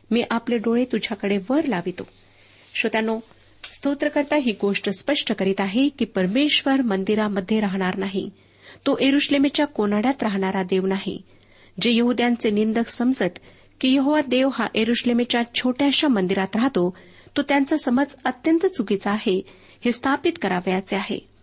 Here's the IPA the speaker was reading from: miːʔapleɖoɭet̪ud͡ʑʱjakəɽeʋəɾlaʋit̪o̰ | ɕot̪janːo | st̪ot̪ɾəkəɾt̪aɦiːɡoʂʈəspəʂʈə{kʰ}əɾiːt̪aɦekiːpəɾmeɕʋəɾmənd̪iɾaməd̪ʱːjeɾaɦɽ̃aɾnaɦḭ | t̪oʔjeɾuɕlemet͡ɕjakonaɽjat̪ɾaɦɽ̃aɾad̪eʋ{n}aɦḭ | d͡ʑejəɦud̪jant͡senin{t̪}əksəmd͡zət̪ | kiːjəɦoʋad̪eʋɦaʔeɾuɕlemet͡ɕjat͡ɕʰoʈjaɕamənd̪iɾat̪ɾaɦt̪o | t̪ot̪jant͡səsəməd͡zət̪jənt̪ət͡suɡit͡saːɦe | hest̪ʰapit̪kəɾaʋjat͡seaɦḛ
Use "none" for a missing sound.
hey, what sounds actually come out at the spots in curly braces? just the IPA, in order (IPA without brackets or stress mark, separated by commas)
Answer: k, n, d̪